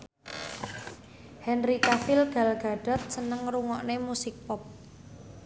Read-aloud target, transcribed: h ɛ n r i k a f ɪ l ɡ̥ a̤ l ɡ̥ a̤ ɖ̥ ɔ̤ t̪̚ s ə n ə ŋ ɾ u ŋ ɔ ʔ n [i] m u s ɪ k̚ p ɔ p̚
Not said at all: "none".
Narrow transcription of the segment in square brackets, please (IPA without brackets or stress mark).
e